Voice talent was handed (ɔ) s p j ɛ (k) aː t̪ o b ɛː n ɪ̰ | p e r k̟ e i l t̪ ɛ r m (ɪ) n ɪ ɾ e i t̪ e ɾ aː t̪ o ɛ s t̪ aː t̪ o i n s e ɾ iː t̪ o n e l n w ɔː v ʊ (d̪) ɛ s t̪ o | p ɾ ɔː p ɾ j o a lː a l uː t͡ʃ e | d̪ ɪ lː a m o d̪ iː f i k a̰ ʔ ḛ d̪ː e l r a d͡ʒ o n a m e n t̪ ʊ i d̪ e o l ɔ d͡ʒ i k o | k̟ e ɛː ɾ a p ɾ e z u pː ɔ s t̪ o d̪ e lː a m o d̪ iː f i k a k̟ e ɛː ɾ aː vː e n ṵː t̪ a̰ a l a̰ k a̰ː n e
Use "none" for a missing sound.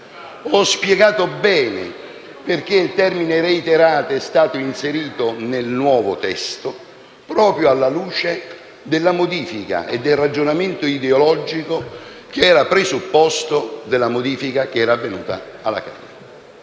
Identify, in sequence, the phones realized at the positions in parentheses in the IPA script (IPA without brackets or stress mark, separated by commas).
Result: ɔ, ɡ, i, t̪